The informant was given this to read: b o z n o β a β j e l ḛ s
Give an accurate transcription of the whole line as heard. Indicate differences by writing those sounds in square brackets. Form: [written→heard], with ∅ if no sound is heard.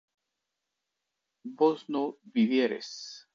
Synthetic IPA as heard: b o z n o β [a→i] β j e [l→ɾ] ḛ s